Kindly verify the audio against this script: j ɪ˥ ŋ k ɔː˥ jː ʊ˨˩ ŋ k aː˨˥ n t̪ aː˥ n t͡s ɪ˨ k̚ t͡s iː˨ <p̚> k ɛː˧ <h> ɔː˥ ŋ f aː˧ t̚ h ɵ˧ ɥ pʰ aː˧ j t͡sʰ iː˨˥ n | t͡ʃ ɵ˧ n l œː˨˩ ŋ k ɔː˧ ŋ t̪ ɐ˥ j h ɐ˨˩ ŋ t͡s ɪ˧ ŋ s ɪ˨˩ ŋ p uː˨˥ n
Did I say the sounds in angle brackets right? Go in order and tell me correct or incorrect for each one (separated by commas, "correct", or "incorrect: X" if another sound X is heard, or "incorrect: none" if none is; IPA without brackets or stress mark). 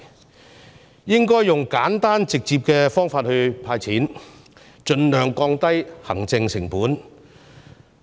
correct, incorrect: f